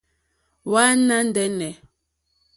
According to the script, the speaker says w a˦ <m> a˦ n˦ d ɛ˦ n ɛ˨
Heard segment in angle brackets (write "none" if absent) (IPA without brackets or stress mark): n